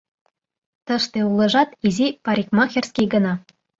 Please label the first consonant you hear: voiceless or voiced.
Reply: voiceless